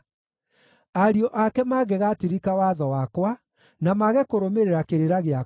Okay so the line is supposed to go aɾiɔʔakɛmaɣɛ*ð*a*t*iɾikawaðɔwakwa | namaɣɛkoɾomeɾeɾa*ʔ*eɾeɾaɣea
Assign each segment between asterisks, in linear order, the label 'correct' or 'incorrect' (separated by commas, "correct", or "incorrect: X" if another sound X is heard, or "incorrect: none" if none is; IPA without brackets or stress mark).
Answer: incorrect: ɣ, correct, incorrect: k